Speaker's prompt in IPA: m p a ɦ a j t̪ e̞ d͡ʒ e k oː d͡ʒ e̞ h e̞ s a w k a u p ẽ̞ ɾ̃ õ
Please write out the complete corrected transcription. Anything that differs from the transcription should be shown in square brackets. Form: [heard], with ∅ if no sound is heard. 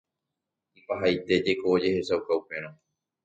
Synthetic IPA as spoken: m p a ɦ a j t̪ e̞ d͡ʒ e k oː d͡ʒ e̞ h e̞ s a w k a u p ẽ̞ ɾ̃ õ